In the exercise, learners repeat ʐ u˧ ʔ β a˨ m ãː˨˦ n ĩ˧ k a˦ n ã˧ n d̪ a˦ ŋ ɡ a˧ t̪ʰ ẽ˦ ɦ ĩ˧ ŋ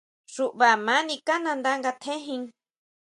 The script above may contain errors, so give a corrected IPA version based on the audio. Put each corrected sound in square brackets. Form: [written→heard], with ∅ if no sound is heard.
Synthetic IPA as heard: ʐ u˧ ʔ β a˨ m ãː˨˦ n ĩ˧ k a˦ n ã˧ n d̪ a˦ ŋ ɡ a˧ t̪ʰ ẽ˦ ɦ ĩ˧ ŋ